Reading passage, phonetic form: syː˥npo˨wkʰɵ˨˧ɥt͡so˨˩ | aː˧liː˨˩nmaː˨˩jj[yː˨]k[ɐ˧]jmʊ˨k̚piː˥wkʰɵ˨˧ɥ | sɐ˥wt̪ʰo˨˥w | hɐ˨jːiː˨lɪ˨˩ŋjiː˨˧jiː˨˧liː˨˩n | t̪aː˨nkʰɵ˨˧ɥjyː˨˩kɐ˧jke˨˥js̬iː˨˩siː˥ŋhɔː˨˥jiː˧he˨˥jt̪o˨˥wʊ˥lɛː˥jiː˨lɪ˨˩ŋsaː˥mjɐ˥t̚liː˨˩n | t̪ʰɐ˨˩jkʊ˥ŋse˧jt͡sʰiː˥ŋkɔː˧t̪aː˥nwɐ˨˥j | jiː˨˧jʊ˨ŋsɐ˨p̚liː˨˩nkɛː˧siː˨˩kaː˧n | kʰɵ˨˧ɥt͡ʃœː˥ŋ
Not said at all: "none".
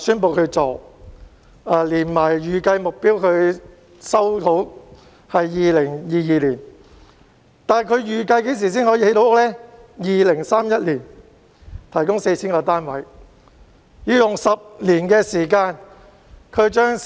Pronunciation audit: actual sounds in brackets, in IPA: yː˨, ɐ˧

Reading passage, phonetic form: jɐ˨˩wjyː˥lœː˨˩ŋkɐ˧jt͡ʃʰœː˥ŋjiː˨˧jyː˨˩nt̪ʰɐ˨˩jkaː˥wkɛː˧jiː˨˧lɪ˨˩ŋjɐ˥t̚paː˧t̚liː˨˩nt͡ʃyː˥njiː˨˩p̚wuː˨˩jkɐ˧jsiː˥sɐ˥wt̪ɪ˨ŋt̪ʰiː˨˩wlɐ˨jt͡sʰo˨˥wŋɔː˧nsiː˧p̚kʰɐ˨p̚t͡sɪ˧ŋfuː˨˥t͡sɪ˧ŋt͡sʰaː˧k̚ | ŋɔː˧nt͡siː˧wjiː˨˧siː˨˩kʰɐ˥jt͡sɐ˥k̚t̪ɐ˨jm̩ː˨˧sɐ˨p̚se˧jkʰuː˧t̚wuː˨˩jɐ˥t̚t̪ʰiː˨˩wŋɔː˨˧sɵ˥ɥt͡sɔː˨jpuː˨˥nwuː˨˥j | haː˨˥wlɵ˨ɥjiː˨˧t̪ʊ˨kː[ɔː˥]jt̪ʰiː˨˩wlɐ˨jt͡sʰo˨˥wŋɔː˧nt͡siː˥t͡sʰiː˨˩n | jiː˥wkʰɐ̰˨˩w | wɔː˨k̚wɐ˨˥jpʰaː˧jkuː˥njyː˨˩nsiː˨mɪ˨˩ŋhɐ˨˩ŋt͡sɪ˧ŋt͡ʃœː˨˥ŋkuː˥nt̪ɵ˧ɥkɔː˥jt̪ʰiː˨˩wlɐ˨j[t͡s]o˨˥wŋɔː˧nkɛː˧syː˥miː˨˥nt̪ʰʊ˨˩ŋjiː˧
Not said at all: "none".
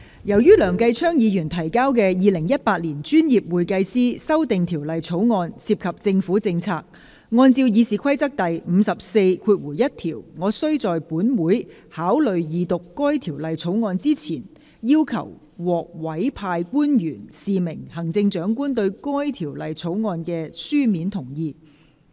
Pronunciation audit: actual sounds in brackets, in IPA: ɔː˥, t͡sʰ

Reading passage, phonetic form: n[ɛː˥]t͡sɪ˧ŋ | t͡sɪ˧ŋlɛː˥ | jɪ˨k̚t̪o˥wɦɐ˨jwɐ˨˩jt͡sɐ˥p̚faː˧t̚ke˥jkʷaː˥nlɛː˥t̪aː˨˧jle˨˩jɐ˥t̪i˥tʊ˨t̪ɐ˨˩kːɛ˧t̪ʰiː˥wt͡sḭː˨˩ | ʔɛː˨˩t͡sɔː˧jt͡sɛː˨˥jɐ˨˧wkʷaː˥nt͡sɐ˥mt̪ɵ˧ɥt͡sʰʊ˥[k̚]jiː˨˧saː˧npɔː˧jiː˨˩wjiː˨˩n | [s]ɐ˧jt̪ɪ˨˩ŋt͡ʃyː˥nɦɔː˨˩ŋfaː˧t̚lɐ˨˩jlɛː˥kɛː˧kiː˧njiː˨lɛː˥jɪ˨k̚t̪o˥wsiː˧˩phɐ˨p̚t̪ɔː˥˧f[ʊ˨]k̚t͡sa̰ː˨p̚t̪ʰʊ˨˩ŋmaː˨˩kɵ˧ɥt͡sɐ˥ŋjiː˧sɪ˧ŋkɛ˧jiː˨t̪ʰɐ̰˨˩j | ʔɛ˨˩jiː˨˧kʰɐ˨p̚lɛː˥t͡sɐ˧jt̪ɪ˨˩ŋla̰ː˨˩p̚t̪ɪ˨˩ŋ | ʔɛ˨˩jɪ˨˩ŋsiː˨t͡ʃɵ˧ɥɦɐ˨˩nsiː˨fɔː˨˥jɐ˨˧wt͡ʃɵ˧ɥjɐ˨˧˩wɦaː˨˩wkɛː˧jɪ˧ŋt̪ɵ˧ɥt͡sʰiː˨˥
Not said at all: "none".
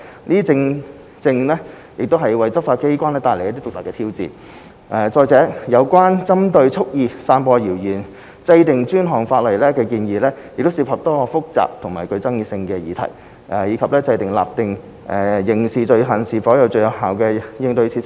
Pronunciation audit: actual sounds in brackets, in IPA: iː˥, k̚, t͡s, ʊ˥

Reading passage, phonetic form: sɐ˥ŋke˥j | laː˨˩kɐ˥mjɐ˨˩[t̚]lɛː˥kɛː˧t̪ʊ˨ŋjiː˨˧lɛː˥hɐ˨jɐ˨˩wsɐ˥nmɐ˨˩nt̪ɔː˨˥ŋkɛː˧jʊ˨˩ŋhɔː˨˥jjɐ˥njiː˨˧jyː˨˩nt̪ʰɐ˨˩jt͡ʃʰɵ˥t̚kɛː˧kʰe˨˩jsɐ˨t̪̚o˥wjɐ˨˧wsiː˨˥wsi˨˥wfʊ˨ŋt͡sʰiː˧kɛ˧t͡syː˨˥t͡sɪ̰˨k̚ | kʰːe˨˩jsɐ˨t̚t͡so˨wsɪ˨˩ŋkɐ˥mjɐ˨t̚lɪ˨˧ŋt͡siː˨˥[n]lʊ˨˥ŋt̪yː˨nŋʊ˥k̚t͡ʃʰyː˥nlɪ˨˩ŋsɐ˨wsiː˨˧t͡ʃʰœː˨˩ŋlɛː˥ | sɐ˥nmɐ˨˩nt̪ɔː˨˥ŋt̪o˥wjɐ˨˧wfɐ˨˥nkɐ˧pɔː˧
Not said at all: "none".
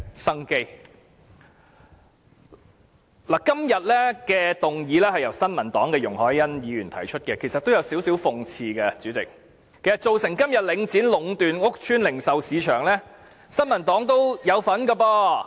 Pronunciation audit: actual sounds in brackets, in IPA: t̚, n

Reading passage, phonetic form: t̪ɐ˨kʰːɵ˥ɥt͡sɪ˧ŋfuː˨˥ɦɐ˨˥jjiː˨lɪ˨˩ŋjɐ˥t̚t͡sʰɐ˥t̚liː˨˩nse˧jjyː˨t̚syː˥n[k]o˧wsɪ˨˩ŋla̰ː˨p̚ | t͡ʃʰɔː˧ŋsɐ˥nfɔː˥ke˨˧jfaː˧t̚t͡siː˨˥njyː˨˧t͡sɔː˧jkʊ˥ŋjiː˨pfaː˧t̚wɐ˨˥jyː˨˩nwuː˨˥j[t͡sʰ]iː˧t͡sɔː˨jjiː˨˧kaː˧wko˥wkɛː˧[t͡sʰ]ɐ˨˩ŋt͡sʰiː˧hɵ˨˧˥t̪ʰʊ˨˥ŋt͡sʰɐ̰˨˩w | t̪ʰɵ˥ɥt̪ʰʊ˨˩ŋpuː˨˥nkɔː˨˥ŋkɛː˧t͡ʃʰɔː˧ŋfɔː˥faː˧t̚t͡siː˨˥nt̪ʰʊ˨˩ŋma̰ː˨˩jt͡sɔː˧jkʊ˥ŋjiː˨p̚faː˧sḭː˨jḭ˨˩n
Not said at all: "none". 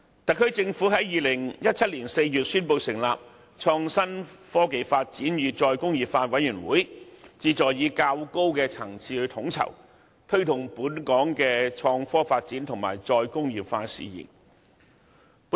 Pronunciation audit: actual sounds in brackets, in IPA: p, t͡s, t͡sʰ

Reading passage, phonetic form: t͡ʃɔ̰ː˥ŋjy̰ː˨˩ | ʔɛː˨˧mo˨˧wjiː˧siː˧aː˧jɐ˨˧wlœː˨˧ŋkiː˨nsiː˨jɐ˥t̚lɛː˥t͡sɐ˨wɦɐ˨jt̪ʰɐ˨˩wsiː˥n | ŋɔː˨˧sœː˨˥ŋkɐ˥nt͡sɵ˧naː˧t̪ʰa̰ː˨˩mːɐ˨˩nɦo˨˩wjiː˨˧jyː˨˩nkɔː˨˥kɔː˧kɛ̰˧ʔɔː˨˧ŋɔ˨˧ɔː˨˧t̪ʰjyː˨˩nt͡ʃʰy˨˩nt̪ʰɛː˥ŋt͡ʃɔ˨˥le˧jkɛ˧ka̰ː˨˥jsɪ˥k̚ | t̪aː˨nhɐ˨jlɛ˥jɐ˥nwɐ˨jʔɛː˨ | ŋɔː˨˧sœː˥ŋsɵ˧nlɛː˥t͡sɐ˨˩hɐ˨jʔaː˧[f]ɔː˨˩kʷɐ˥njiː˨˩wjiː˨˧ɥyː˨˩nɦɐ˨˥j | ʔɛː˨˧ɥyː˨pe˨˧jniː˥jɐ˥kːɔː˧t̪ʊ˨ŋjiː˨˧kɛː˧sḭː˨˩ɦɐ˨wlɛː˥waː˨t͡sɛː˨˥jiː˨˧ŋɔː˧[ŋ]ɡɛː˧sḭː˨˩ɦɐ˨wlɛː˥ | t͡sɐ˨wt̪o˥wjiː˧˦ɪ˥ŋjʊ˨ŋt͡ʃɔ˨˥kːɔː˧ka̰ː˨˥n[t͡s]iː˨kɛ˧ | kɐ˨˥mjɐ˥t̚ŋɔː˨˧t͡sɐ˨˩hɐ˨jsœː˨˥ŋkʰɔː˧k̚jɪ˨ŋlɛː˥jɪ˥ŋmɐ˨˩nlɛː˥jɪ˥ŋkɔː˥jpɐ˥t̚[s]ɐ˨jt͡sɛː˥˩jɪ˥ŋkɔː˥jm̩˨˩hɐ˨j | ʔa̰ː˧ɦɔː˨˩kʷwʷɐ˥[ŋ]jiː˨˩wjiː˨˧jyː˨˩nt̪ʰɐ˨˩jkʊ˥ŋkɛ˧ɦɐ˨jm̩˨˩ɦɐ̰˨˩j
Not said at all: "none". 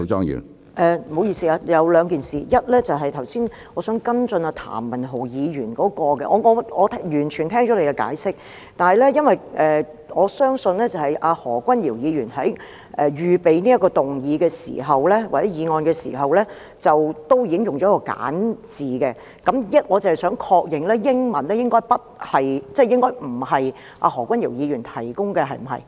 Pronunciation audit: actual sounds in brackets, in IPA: h, n, t͡s, h, n

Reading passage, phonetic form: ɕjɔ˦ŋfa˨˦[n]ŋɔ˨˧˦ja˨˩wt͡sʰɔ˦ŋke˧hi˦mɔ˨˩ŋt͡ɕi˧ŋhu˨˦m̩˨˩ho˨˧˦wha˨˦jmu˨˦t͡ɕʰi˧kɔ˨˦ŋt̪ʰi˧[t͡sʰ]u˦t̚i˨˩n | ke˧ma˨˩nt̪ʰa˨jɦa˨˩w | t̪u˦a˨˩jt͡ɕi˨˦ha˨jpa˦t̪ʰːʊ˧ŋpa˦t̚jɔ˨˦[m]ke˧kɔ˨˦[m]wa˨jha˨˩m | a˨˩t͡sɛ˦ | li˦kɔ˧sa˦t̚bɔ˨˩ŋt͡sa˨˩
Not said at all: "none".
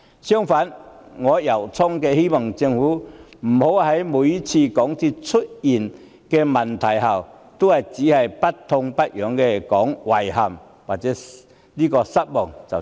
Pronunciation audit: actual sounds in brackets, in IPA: n, t͡sʰ, ŋ, ŋ

